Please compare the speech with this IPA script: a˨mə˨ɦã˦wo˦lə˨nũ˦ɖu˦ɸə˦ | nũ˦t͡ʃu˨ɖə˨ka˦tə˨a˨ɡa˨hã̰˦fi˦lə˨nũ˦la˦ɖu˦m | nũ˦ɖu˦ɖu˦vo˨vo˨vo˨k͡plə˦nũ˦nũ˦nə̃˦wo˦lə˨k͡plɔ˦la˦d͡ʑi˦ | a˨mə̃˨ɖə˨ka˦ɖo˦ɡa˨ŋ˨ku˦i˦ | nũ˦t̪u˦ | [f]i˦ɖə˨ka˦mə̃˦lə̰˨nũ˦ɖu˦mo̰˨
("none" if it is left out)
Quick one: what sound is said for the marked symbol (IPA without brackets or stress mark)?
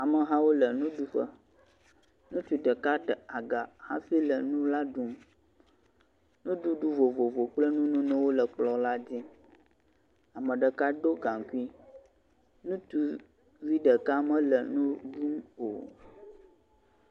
v